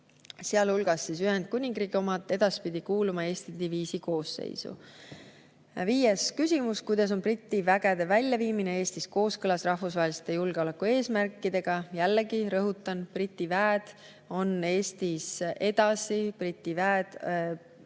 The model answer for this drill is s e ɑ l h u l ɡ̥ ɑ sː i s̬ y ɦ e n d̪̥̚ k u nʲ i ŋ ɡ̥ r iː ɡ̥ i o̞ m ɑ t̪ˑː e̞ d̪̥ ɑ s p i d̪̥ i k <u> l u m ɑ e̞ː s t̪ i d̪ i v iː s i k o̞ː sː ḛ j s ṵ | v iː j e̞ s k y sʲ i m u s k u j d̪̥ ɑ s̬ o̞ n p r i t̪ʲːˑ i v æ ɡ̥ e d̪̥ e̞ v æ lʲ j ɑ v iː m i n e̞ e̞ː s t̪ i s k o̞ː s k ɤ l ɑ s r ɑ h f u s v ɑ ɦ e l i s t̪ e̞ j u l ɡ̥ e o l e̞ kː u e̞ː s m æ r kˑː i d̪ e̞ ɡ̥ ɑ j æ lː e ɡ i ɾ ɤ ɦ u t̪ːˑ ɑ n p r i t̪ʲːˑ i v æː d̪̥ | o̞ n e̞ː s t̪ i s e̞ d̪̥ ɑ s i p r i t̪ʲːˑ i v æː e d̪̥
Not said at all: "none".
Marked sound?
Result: uː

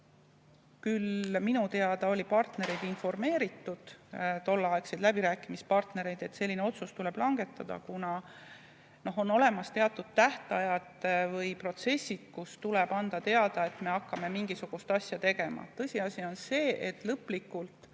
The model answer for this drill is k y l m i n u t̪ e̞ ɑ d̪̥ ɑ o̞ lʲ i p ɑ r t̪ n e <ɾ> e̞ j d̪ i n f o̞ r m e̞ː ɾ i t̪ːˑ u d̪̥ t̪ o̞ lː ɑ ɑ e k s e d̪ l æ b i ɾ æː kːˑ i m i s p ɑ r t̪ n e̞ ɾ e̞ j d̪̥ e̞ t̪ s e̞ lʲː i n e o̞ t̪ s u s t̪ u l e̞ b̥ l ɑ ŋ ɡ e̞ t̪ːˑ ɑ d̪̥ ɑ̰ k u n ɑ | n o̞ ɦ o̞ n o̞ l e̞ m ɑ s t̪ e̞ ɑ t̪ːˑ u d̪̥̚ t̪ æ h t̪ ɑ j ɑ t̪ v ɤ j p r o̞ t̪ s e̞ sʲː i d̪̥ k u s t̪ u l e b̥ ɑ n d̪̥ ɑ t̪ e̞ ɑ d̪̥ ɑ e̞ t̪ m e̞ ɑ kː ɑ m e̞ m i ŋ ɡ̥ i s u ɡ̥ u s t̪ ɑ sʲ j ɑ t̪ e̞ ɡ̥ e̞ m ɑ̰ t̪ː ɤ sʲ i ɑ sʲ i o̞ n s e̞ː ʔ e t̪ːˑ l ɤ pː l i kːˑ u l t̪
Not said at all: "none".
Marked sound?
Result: ɾ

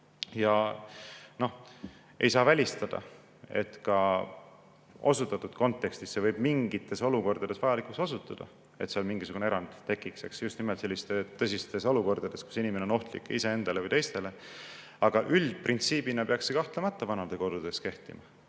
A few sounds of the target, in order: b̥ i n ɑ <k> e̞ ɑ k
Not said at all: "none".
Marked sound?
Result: p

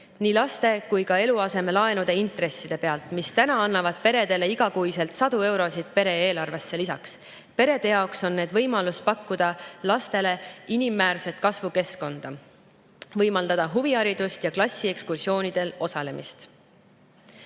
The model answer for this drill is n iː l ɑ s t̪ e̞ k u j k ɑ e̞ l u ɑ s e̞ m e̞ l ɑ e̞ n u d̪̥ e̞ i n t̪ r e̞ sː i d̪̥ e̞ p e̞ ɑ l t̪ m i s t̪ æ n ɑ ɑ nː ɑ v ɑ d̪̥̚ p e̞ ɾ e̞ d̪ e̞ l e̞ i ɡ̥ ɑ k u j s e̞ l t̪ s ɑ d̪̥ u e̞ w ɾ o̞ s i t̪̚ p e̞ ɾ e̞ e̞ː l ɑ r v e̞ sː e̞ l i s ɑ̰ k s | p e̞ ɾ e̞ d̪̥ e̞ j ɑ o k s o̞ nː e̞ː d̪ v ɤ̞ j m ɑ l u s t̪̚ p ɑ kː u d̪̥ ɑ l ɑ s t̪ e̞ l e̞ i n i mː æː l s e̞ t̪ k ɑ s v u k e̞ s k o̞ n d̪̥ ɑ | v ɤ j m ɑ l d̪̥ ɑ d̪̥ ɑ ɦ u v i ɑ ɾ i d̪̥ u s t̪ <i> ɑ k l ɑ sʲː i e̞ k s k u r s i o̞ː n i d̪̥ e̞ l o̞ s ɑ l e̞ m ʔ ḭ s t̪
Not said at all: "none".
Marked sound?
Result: j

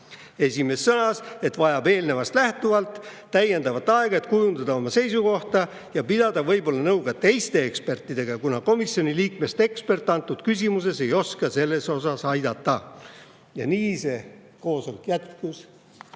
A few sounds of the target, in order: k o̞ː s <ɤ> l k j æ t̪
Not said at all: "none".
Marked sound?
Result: o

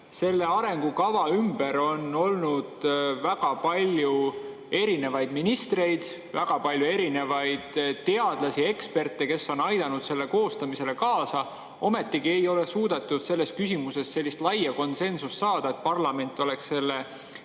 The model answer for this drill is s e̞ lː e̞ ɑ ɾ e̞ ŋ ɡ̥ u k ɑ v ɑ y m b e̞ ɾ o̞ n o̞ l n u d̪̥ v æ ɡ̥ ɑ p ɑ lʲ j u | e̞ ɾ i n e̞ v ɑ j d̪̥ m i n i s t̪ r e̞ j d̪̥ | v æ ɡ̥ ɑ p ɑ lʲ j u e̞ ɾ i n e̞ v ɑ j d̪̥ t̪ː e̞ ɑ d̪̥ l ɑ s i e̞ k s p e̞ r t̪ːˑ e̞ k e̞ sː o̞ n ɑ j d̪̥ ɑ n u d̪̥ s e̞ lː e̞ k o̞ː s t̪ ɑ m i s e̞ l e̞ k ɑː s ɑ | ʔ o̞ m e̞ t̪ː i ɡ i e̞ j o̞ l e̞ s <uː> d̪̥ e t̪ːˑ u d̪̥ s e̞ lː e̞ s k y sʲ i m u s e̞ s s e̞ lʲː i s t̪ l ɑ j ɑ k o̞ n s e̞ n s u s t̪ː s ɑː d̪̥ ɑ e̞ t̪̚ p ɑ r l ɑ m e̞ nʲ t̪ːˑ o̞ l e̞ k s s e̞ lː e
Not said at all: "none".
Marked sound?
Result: uː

